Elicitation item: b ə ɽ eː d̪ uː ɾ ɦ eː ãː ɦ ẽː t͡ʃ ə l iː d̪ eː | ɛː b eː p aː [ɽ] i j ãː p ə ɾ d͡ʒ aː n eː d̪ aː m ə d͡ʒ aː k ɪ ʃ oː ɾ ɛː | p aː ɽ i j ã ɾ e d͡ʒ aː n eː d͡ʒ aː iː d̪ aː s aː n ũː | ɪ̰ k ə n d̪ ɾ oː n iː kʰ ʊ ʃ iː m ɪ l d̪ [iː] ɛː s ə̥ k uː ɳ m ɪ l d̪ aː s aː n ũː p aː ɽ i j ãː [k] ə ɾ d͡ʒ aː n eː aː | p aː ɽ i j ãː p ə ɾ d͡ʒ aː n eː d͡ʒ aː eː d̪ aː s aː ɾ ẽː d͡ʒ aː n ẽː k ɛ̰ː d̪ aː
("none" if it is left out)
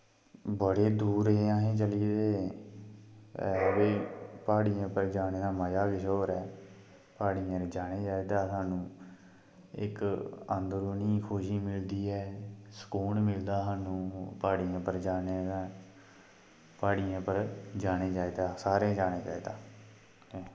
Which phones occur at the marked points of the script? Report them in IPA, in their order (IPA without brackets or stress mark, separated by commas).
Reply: ɽ, iː, p